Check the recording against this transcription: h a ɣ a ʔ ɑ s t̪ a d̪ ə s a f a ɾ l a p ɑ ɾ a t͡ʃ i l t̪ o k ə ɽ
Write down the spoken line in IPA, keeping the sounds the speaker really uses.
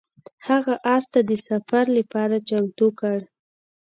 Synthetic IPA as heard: h a ɣ a ʔ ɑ s t̪ a d̪ ə s a f a ɾ l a p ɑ ɾ a t͡ʃ a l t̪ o k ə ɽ